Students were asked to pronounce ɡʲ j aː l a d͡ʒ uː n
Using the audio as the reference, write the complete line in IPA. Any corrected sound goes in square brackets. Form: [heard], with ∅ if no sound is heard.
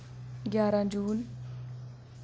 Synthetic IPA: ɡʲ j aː [ɾ] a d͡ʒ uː n

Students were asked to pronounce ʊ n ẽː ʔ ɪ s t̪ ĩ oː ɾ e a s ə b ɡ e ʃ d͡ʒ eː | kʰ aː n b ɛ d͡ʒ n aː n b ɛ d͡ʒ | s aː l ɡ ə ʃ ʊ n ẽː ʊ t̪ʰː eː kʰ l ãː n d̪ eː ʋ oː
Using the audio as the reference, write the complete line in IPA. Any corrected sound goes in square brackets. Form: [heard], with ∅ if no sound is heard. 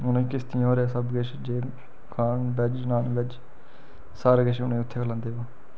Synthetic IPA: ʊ n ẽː [k] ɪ s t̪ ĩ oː ɾ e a s ə b ɡ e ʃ d͡ʒ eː | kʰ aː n b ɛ d͡ʒ n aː n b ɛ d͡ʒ | s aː [ɾ] ɡ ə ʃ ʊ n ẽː ʊ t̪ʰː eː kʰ l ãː n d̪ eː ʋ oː

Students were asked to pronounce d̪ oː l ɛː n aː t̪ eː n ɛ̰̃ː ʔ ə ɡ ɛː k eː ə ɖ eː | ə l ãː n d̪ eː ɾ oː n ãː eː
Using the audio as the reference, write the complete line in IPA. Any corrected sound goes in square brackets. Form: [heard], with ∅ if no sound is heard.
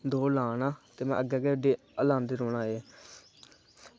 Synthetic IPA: d̪ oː l [aː] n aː t̪ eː [m] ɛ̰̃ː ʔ ə ɡ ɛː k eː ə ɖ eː | ə l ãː n d̪ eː ɾ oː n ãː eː

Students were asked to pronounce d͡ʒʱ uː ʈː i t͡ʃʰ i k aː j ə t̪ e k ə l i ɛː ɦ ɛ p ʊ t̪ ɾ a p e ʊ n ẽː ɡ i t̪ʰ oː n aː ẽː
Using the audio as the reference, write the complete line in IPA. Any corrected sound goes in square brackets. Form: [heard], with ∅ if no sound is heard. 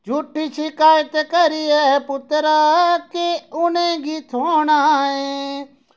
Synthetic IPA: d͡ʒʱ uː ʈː i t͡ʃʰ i k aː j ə t̪ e k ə [ɾ] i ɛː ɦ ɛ p ʊ t̪ ɾ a [k] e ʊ n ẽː ɡ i t̪ʰ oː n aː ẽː

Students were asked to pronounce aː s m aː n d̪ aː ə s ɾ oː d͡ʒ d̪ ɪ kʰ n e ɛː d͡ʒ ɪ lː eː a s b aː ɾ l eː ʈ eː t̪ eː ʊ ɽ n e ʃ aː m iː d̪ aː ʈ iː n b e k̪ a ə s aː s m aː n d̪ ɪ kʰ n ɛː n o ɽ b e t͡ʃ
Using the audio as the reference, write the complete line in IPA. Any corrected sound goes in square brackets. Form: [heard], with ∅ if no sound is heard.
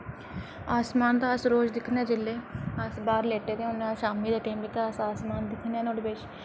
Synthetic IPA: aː s m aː n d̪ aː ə s ɾ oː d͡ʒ d̪ ɪ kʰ n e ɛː d͡ʒ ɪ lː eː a s b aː ɾ l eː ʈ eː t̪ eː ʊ [∅] n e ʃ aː m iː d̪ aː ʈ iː [m] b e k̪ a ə s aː s m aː n d̪ ɪ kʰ n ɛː n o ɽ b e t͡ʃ

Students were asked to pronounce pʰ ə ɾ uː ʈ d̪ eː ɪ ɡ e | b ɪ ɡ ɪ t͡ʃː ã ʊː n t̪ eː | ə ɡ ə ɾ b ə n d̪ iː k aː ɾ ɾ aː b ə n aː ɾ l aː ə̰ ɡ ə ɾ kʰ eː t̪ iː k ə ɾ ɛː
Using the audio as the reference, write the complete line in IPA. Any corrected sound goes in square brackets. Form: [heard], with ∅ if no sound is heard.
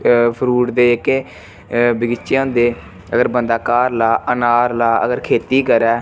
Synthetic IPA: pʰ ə ɾ uː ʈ d̪ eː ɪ [k] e | b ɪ ɡ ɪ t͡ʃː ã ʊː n [d̪] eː | ə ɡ ə ɾ b ə n d̪ [aː] k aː ɾ [l] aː [∅] ə n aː ɾ l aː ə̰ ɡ ə ɾ kʰ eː t̪ iː k ə ɾ ɛː

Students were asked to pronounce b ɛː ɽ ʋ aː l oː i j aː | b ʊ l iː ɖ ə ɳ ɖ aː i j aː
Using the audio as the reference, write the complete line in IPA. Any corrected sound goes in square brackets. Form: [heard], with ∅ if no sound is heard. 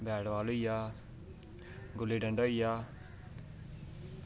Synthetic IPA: b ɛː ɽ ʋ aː l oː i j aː | [ɡ] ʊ l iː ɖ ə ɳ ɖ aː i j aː

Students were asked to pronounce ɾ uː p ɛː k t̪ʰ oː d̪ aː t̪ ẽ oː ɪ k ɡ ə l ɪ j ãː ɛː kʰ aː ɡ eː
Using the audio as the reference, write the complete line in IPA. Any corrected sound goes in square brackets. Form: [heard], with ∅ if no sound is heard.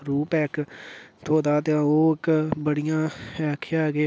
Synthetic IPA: ɾ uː p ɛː k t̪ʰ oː d̪ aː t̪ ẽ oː ɪ k [b] ə [ɽ] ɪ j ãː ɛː kʰ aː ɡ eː

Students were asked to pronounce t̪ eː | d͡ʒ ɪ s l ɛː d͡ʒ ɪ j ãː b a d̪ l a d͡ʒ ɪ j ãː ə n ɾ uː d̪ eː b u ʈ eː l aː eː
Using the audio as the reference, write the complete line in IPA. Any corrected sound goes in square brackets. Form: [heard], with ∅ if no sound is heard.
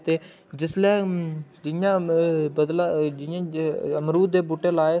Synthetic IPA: t̪ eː | d͡ʒ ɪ s l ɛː d͡ʒ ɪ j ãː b [ə] d̪ l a d͡ʒ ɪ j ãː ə [m] ɾ uː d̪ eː b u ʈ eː l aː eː

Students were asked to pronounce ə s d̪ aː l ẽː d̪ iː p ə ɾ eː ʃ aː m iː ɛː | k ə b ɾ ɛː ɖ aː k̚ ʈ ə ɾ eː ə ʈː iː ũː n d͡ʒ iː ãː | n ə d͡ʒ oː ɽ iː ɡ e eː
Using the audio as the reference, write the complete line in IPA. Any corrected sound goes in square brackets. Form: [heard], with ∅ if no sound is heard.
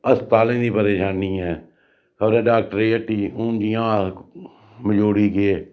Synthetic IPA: ə s [t̪] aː l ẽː d̪ iː p ə ɾ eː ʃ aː [n] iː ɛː | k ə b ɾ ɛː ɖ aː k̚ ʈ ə ɾ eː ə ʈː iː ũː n d͡ʒ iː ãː | [m] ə d͡ʒ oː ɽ iː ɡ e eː

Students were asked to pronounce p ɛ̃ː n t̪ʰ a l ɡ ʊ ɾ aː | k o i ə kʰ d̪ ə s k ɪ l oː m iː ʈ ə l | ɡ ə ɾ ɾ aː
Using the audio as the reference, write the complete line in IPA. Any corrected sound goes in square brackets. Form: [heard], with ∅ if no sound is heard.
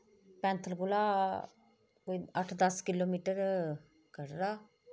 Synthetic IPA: p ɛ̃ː n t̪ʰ [ə] l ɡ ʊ [l] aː | k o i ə [ʈʰ] d̪ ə s k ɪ l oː m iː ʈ ə [ɾ] | [k] ə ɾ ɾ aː

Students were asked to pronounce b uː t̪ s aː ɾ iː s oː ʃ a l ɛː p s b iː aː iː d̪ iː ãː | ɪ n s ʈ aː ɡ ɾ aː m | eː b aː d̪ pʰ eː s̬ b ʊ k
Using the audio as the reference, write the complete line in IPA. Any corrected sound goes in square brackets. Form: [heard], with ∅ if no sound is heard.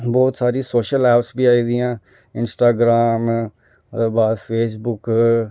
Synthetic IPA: b [ɔː] t̪ s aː ɾ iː s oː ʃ [ə] l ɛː p s b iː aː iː d̪ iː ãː | ɪ n s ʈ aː ɡ ɾ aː m | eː b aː d̪ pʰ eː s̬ b ʊ k

